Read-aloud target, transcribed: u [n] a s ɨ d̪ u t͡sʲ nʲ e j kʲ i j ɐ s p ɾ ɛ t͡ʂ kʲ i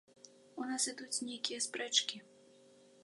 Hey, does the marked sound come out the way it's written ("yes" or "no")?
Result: yes